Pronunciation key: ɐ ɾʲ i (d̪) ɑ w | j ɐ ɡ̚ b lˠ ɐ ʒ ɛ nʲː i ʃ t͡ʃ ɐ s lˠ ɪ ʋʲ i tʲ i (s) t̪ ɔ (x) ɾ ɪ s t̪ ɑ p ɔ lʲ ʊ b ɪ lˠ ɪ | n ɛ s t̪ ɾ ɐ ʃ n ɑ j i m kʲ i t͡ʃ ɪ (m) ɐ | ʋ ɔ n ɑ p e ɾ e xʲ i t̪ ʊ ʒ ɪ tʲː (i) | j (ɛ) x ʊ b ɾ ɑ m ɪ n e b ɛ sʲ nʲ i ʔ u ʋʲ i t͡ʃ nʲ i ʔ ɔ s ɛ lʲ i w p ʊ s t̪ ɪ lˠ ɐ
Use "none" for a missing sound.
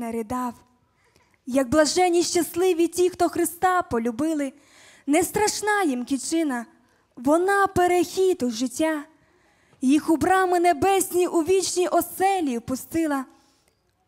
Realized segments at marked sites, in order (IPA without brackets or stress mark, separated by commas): d̪, x, x, n, a, i